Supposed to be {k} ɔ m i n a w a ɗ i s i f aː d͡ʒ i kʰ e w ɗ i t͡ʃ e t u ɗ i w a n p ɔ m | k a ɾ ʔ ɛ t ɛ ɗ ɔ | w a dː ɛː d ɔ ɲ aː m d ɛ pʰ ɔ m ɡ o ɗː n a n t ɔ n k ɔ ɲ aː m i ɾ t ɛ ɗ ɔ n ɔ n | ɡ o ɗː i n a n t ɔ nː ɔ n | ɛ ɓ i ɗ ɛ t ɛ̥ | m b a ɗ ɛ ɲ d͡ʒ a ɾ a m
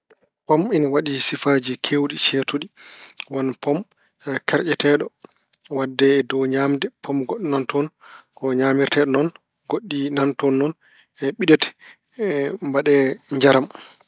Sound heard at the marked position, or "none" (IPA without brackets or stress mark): p